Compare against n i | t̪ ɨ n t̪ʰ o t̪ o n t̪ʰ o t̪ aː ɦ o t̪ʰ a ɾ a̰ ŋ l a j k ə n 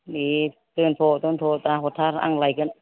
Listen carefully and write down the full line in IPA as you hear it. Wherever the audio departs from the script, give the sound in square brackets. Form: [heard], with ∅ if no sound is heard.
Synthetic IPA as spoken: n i | t̪ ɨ n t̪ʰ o t̪ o n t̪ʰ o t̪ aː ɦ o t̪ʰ a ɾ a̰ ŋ l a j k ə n